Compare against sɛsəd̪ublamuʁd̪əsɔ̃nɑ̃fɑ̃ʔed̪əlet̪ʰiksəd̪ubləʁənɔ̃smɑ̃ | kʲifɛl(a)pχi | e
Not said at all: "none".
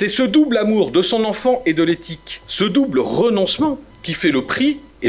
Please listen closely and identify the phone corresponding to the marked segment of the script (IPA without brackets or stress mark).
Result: ə